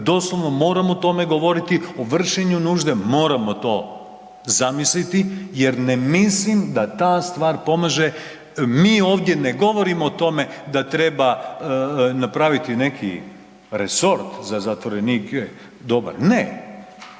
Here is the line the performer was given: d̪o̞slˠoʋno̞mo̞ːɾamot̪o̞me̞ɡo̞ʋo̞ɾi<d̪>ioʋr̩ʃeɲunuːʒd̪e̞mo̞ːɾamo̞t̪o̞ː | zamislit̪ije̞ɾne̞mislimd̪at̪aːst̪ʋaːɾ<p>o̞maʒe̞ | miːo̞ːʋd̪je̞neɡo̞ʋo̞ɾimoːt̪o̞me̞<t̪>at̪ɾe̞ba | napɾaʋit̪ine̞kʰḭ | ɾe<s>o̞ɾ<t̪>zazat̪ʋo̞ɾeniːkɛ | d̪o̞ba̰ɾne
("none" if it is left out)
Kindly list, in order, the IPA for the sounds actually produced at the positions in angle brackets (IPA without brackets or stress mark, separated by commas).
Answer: t̪, p, d̪, s, t̪